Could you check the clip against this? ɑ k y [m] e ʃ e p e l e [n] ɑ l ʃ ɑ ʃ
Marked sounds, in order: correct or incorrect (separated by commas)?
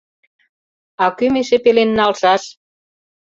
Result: correct, incorrect